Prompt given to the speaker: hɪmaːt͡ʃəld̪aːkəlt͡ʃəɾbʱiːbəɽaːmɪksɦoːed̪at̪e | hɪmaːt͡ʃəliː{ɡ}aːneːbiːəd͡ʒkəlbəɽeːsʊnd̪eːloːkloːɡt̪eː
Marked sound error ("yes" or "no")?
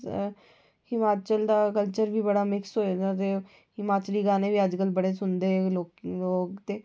no